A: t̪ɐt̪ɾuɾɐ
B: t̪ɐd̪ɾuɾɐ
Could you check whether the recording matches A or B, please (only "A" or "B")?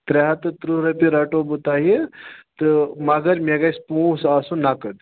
A